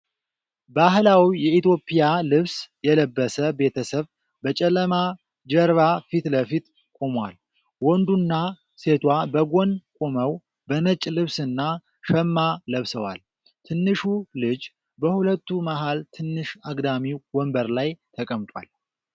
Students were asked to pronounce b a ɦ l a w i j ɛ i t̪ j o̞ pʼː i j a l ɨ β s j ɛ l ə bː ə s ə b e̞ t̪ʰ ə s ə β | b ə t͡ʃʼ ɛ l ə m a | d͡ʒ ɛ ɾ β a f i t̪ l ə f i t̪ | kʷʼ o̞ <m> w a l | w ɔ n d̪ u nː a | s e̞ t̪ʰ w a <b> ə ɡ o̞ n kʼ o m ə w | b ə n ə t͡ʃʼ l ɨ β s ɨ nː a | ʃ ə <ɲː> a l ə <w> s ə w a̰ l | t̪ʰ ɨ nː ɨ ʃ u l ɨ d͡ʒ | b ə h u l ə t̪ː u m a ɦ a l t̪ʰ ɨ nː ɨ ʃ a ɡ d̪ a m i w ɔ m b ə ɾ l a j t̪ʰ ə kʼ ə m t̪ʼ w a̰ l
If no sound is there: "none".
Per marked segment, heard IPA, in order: m, b, mː, β

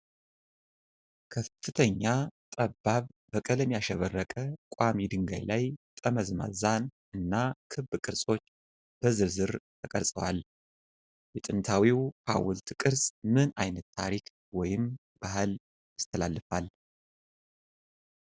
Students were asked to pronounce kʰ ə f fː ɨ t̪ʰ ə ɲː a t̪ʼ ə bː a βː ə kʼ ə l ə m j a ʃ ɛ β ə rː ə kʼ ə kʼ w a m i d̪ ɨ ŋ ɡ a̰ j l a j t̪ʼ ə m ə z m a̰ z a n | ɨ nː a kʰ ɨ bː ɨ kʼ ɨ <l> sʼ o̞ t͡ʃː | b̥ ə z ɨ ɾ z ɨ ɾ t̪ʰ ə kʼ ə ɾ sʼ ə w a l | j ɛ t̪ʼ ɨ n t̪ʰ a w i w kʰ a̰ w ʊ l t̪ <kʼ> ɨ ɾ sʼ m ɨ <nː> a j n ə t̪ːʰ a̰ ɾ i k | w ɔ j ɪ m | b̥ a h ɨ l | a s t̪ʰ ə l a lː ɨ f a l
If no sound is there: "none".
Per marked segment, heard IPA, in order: ɾ, kʼ, n

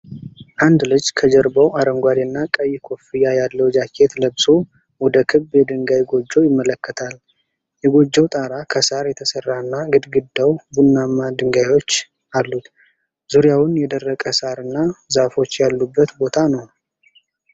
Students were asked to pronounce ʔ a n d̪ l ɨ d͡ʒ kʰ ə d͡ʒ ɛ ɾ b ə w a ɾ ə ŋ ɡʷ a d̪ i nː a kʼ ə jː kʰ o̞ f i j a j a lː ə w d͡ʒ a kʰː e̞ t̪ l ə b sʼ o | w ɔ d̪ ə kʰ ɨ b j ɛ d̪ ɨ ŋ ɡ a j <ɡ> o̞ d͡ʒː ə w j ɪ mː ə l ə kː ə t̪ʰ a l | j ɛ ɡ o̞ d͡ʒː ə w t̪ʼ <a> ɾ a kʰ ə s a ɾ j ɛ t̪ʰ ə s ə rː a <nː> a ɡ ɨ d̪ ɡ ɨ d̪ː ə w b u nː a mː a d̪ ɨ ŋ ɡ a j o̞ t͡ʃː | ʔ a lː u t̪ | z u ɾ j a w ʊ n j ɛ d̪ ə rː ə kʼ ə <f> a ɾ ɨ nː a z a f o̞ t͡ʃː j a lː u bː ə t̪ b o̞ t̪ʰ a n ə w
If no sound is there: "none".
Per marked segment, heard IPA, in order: ɡ, a, nː, s

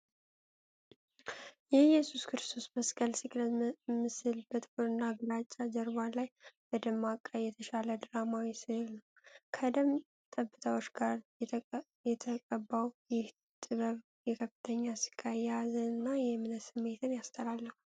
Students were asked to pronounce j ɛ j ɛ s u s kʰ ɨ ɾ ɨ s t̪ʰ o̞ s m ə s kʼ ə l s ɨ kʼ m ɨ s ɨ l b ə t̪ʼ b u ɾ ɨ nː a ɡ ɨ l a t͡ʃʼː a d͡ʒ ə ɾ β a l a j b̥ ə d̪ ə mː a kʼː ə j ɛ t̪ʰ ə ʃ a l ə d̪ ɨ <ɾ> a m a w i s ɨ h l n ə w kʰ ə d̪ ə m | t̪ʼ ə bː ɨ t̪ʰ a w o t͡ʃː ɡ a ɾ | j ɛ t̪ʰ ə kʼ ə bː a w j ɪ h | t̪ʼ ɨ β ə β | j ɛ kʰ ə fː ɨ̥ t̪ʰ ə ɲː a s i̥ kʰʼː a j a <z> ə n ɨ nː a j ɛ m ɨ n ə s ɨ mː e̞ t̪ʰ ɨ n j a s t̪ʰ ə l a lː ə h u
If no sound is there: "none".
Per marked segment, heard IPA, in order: ɾ, z

